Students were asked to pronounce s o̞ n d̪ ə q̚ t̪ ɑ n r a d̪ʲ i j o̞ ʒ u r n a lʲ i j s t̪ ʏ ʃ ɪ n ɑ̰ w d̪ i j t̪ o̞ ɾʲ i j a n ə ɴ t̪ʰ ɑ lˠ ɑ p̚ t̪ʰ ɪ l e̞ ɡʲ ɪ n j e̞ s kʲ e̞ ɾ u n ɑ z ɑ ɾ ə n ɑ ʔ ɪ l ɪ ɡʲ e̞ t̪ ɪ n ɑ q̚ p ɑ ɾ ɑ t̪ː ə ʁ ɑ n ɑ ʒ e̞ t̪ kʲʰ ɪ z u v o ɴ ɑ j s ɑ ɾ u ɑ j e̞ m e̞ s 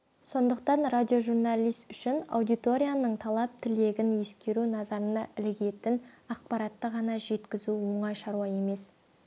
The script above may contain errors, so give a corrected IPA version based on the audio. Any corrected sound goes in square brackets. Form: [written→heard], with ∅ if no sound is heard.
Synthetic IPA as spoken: s o̞ n d̪ ə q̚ t̪ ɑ n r a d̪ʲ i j o̞ ʒ u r n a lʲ i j s t̪ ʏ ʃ ɪ n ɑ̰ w d̪ i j t̪ o̞ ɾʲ i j a n ə ɴ t̪ʰ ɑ lˠ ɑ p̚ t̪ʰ ɪ l e̞ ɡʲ ɪ n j e̞ s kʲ e̞ ɾ u n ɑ z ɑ ɾ ə n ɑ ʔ ɪ l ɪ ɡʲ e̞ t̪ ɪ n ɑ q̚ p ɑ ɾ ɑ t̪ː ə ʁ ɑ n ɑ ʒ e̞ t̪ [kʲʰ→kʲ] ɪ z u [v→w] o ɴ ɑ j [s→ʃ] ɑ ɾ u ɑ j e̞ m e̞ s